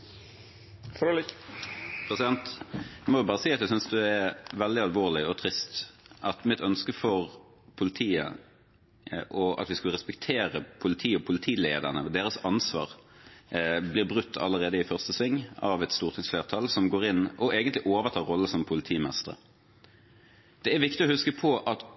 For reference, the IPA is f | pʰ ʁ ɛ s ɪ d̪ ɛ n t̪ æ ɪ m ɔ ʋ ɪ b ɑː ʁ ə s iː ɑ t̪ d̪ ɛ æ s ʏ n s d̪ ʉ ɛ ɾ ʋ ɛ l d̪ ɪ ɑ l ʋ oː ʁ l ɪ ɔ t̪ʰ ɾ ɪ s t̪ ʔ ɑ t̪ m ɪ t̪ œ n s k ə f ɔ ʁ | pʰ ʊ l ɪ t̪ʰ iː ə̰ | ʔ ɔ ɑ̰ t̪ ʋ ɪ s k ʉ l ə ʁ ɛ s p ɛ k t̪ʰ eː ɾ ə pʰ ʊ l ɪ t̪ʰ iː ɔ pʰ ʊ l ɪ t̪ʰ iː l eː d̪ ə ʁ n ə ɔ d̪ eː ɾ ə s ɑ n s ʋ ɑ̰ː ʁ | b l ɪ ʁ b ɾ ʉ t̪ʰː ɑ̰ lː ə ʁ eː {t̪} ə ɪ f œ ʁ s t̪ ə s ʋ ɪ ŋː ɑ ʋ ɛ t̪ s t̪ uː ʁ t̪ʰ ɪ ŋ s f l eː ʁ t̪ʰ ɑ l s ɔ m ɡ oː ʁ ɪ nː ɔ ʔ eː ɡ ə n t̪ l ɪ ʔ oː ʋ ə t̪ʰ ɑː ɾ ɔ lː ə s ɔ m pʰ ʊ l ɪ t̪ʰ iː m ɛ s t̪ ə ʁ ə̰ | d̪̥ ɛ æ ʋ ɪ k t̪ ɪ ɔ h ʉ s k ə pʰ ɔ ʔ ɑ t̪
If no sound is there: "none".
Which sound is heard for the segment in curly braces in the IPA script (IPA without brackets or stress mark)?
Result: d̪